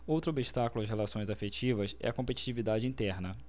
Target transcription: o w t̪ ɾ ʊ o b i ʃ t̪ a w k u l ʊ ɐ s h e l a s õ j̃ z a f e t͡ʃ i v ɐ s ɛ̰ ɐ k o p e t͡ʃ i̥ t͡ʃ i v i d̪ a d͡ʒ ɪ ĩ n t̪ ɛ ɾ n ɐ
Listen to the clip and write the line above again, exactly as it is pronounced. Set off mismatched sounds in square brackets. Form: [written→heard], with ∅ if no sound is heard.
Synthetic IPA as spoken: o w t̪ ɾ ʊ o b i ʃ t̪ a [w→∅] k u l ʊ ɐ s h e l a s õ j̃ z a f e t͡ʃ i v ɐ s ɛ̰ ɐ k [o→õ] p e t͡ʃ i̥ t͡ʃ i v i d̪ a d͡ʒ ɪ ĩ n t̪ ɛ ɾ n ɐ